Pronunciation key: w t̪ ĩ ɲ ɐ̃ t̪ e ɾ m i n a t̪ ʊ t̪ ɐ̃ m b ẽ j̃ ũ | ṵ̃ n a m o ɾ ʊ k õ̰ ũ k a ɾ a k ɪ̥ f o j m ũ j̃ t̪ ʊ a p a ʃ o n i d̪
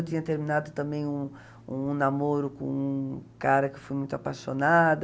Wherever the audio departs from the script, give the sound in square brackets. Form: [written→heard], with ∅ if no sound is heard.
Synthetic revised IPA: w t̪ ĩ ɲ [ɐ̃→ɐ] t̪ e ɾ m i n a [t̪→d̪] ʊ t̪ ɐ̃ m b ẽ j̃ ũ | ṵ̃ n a m o ɾ ʊ k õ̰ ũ k a ɾ [a→ɐ] k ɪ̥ f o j m ũ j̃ t̪ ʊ a p a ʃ o n [i→a] d̪